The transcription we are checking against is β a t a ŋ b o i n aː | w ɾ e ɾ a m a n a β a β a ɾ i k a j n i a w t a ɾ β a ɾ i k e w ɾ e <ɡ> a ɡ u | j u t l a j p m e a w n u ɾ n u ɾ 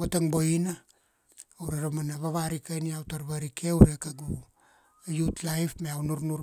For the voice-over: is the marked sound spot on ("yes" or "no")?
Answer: no